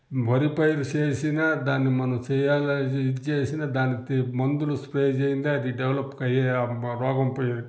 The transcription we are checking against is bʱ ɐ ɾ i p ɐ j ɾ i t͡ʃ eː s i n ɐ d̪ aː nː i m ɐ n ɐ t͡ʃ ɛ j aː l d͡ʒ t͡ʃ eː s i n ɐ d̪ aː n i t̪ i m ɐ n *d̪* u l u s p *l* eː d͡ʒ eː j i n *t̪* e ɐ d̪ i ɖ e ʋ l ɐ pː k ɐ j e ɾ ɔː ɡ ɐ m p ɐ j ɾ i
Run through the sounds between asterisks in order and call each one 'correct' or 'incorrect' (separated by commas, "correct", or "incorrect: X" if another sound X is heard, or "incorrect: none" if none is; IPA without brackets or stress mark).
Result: correct, incorrect: ɾ, incorrect: d̪